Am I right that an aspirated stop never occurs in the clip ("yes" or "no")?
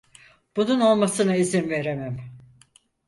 yes